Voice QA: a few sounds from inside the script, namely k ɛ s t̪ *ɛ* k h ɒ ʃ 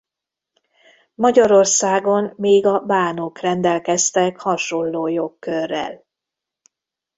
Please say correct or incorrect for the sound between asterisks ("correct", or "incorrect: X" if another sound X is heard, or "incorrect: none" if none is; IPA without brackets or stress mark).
correct